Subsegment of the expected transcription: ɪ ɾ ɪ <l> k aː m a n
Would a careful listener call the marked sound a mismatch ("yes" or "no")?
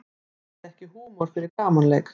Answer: yes